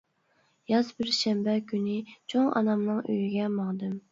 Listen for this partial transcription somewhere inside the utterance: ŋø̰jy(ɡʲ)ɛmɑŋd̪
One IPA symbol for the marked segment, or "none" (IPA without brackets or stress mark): ɡʲ